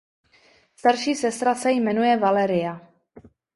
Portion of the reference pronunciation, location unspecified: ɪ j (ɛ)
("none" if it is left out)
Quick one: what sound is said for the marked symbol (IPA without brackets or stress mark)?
a